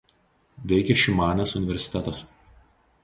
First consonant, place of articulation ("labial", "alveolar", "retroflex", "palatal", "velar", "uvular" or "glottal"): labial